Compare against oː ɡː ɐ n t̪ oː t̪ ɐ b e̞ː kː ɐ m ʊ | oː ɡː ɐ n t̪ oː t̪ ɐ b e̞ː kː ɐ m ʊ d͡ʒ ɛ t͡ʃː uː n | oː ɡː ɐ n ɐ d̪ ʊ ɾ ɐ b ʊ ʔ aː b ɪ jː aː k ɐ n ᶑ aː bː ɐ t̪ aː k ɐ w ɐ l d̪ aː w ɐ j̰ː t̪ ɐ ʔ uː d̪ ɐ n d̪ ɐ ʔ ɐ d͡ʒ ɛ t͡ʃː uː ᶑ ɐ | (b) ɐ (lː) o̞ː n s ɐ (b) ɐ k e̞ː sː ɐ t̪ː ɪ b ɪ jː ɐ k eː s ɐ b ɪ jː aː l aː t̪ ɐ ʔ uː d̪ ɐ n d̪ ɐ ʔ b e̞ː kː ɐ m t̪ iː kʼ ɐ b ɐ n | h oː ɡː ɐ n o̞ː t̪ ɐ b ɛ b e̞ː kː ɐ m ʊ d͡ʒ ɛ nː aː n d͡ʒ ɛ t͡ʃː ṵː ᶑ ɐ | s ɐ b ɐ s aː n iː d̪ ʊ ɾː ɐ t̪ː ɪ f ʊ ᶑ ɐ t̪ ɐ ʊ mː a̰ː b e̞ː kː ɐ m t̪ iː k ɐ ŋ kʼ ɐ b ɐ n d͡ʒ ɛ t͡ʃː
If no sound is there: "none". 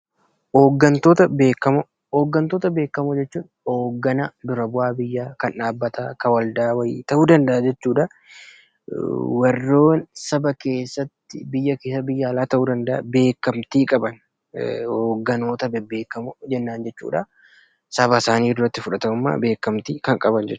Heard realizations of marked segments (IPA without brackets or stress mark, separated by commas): w, rː, b